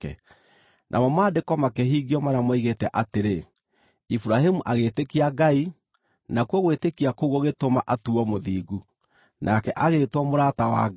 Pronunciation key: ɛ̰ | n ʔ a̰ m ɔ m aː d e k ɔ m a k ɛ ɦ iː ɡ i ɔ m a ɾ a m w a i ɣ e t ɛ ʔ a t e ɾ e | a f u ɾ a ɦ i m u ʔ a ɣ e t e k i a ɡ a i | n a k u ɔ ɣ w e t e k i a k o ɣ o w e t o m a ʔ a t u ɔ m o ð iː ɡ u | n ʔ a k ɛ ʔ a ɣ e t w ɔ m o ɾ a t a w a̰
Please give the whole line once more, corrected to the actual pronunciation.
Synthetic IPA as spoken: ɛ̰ | n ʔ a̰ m ɔ m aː d e k ɔ m a k ɛ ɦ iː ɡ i ɔ m a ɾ a m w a i ɣ e t ɛ ʔ a t e ɾ e | i f u ɾ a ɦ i m u ʔ a ɣ e t e k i a ɡ a i | n a k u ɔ ɣ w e t e k i a k o ɣ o ɣ e t o m a ʔ a t u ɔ m o ð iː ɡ u | n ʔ a k ɛ ʔ a ɣ e t w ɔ m o ɾ a t a w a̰